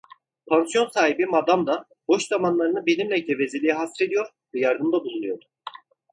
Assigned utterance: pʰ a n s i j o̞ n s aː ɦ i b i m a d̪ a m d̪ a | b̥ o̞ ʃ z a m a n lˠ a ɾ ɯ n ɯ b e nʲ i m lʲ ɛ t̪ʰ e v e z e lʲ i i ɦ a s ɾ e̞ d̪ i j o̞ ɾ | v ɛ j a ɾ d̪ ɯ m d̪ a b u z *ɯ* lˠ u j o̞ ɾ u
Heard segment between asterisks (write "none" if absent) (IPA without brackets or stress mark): u